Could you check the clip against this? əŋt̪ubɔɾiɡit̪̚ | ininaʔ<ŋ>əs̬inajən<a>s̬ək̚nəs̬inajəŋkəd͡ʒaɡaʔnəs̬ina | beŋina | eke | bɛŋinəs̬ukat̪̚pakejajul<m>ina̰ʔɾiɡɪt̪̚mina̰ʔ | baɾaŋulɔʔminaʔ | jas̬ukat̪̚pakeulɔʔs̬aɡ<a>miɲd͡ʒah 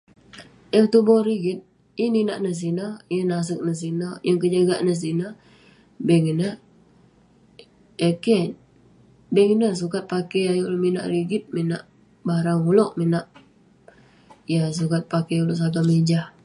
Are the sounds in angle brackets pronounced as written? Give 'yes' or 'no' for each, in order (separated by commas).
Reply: no, yes, yes, yes